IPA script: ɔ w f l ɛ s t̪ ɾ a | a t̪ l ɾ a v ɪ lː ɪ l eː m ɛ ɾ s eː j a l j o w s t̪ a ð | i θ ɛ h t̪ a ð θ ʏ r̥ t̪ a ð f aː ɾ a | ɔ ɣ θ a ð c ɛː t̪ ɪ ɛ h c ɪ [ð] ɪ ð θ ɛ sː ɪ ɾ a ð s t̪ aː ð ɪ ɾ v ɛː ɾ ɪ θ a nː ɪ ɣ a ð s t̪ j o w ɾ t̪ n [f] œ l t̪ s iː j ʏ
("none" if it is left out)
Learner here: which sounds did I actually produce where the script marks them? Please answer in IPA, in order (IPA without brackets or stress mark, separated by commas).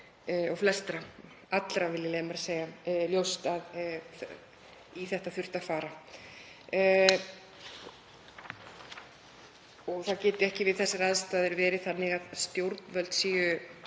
v, v